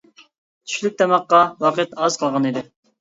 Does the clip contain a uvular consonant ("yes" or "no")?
yes